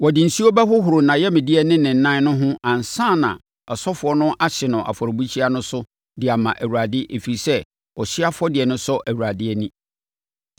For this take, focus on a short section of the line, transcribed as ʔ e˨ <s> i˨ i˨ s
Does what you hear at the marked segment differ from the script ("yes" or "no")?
yes